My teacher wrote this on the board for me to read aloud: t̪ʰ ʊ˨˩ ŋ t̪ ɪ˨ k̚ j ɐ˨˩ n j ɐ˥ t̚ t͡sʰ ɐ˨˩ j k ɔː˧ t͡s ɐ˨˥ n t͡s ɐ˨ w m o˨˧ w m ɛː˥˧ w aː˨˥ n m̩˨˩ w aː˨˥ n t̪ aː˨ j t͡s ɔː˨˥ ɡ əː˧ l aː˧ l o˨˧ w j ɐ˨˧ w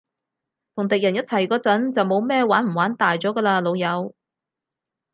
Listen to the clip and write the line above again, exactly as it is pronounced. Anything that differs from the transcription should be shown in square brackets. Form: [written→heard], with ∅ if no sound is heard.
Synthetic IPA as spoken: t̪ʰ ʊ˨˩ ŋ t̪ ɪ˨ k̚ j ɐ˨˩ n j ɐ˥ t̚ t͡sʰ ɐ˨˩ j k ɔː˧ t͡s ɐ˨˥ n t͡s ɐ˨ w m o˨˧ w m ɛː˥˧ w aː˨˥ n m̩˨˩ w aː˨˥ n t̪ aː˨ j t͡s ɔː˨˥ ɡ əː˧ l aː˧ l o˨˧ w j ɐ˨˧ w